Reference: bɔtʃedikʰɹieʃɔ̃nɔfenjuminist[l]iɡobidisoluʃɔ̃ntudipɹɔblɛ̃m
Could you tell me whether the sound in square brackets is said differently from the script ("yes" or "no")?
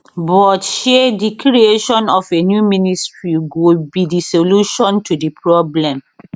yes